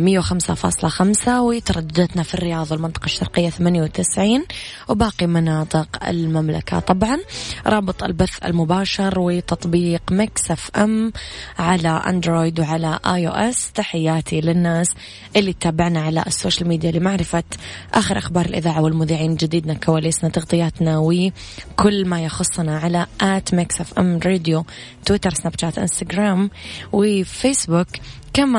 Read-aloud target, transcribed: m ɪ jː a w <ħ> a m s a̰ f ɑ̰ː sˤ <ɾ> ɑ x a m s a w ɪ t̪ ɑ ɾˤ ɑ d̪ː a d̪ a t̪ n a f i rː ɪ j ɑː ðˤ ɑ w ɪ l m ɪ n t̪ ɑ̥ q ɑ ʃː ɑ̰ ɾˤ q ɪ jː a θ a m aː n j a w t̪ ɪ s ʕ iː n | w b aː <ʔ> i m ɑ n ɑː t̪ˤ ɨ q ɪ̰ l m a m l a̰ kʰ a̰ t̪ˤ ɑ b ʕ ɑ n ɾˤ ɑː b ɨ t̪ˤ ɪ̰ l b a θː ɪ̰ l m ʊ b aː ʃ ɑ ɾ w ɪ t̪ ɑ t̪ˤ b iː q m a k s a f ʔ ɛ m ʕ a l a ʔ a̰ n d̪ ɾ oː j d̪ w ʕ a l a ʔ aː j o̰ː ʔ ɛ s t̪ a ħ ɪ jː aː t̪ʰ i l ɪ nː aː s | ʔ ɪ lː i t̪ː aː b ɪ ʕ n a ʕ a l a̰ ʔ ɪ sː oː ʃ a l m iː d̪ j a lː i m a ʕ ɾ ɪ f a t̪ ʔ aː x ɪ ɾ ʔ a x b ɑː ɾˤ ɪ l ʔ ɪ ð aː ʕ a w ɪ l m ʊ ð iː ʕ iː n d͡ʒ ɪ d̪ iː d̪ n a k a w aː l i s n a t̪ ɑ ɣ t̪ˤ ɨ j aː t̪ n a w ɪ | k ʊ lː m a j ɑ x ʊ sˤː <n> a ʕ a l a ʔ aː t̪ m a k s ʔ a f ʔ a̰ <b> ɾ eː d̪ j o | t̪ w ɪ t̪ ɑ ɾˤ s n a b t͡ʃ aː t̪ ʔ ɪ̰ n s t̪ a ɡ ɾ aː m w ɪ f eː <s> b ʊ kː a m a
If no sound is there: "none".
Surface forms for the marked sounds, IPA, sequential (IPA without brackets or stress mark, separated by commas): x, l, q, n, m, s